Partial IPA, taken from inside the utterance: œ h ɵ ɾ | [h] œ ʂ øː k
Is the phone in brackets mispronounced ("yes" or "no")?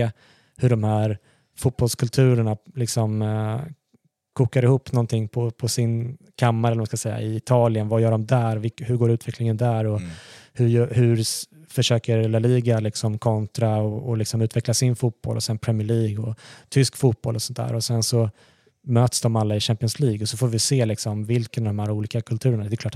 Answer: yes